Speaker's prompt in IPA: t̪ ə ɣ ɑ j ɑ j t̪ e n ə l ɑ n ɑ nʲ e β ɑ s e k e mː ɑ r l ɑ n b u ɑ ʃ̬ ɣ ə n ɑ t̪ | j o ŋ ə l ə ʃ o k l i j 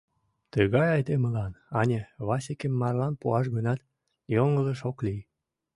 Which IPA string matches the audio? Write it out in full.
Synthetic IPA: t̪ ə ɣ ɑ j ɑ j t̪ e m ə l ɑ n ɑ nʲ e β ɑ s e k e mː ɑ r l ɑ n p u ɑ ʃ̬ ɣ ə n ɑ t̪ | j o ŋ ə l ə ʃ o k l i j

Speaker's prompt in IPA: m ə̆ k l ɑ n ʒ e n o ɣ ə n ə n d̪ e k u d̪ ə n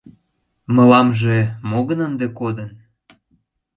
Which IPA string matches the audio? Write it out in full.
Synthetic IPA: m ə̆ l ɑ m ʒ e m o ɣ ə n ə n d̪ e k o d̪ ə n

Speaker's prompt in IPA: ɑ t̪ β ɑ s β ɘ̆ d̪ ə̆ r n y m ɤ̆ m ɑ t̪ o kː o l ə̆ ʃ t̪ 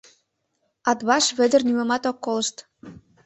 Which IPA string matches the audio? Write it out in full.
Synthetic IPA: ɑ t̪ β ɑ ʃ β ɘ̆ d̪ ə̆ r n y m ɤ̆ m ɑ t̪ o kː o l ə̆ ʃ t̪

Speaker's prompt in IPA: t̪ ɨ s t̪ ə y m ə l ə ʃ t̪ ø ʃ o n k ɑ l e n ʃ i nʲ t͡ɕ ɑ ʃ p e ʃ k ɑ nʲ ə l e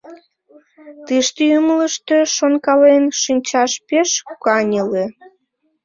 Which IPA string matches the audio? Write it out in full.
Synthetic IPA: t̪ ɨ ʃ t̪ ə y m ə l ə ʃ t̪ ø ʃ o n k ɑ l e n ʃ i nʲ t͡ɕ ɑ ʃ p e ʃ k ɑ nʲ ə l e

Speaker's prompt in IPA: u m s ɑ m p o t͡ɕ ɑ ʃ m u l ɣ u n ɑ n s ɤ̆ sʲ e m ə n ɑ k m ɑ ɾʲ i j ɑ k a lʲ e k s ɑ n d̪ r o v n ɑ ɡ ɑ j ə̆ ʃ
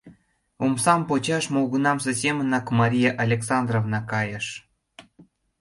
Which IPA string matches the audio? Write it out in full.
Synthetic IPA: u m s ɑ m p o t͡ɕ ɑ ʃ m o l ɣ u n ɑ m s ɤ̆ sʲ e m ə n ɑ k m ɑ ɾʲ i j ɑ ʔ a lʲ e k s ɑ n d̪ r o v n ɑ k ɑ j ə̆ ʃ

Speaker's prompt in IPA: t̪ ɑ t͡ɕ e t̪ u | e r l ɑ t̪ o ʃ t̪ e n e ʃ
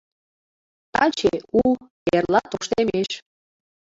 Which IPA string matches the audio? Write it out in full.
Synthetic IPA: t̪ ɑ t͡ɕ e u | e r l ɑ t̪ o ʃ t̪ e m e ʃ

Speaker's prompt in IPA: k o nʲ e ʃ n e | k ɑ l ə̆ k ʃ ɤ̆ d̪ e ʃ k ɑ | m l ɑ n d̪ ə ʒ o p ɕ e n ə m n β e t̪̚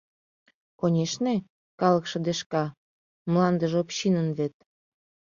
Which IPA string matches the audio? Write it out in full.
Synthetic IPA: k o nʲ e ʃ n e | k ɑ l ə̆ k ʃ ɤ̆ d̪ e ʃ k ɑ | m l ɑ n d̪ ə ʒ o p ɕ i n ə n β e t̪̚

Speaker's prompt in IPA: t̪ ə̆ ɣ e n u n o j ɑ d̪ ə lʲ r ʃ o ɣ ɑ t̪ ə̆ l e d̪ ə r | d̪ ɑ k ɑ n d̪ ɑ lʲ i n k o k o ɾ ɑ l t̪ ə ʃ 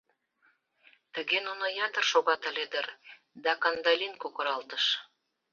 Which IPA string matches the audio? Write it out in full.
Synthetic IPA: t̪ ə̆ ɣ e n u n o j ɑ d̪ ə r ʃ o ɣ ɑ t̪ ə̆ l e d̪ ə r | d̪ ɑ k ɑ n d̪ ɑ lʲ i n k o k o ɾ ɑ l t̪ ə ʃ

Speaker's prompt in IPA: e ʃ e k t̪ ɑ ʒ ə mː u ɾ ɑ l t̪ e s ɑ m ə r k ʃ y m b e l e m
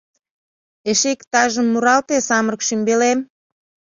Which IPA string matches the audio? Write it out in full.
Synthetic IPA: e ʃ e k t̪ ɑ ʒ ə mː u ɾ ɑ l t̪ e s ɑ m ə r k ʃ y m b e l e m

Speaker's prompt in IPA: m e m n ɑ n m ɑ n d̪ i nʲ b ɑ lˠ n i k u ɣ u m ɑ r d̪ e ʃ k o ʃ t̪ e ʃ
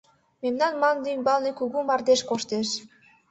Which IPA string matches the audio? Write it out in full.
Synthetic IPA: m e m n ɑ n m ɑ n d̪ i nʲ b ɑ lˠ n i k u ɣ u m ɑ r d̪ e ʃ k o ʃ t̪ e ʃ

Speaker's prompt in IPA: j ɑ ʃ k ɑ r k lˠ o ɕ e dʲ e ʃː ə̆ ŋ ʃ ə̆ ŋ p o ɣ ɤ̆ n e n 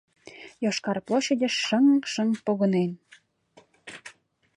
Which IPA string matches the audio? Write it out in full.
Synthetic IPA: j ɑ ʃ k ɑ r p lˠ o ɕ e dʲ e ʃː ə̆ ŋ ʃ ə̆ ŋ p o ɣ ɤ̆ n e n

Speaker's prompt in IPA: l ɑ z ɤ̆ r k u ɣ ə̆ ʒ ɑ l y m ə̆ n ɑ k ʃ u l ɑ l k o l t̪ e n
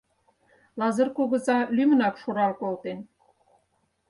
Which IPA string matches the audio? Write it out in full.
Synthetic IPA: l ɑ z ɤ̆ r k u ɣ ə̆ z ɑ l y m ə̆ n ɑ k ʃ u ɾ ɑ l k o l t̪ e n

